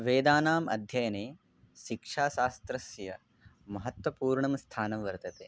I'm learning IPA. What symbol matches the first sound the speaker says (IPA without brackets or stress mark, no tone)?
ʋ